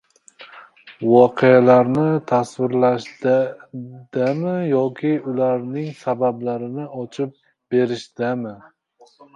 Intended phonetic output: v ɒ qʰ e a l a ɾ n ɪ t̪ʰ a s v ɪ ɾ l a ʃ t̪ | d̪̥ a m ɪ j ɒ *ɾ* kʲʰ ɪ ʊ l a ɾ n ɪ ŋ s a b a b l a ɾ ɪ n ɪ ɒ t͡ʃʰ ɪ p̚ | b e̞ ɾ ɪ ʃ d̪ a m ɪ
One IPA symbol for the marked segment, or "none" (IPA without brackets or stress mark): none